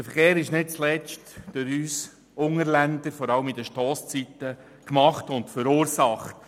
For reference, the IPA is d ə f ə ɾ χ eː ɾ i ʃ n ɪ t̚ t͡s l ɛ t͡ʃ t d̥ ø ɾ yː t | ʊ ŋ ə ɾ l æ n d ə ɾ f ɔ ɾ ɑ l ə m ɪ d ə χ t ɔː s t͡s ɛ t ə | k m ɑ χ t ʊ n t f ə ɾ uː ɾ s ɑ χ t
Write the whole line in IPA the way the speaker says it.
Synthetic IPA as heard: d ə f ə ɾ χ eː ɾ ɪ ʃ n ɪ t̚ t͡s l ɛ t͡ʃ t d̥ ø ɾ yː s | ʊ ŋ ə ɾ l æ n d ə ɾ f ɔ ɾ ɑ l ə m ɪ d ə ʃ t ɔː s t͡s i t ə | k m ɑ χ t ʊ n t f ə ɾ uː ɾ s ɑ χ t